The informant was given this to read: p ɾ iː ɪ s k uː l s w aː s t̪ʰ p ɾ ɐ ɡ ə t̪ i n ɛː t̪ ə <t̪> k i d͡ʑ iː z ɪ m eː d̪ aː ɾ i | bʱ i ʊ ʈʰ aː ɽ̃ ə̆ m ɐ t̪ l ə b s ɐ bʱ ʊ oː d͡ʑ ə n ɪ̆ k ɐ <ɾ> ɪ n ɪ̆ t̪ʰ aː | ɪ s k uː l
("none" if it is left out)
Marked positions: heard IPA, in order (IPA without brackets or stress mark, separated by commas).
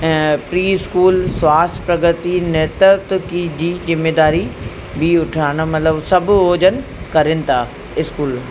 t̪, ɾ